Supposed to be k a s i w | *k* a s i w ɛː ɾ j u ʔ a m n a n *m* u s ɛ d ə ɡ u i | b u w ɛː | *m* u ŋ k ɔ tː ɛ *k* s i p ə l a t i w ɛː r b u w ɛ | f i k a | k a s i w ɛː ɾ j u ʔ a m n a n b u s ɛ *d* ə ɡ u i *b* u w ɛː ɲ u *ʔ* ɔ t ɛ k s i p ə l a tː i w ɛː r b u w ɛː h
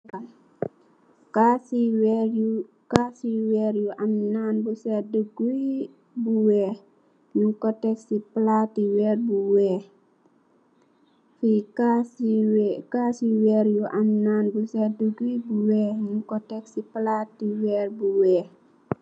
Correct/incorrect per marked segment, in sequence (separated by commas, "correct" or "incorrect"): correct, incorrect, incorrect, correct, correct, correct, incorrect